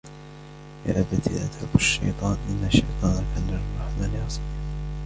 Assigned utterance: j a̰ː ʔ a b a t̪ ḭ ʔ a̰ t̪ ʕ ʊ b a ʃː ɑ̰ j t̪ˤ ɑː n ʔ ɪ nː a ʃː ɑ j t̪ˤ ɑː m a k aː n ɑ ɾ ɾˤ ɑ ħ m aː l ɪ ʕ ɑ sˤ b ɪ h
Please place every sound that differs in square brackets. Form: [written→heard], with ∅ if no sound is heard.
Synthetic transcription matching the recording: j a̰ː ʔ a b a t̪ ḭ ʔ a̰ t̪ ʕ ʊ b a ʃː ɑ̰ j t̪ˤ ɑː n ʔ ɪ nː a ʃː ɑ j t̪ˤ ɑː [m→n] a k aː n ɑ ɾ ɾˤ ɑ ħ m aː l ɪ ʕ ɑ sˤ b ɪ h